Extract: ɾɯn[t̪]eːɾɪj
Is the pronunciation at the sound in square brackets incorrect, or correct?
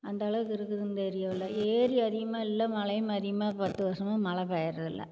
incorrect